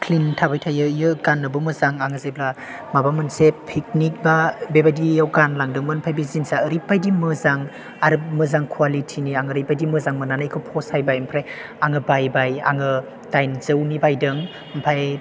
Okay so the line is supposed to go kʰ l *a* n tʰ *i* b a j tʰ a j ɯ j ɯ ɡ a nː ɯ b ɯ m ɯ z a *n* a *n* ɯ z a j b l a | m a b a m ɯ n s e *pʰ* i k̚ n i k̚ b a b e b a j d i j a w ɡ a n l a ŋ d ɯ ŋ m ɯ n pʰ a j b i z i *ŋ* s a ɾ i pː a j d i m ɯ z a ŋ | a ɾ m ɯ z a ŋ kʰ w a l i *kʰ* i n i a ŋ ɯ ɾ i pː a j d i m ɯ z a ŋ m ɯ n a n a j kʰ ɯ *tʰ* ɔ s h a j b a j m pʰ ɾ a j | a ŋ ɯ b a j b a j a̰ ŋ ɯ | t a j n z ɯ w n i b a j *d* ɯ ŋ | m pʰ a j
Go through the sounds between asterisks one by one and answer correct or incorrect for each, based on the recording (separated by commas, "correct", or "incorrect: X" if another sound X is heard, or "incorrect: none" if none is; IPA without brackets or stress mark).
incorrect: i, incorrect: a, incorrect: ŋ, incorrect: ŋ, correct, incorrect: n, incorrect: tʰ, incorrect: pʰ, correct